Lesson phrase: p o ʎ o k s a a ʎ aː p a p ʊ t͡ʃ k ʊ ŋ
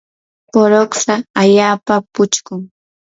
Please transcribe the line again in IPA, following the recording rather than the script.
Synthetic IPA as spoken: p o ɾ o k s a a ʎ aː p a p ʊ t͡ʃ k ʊ ŋ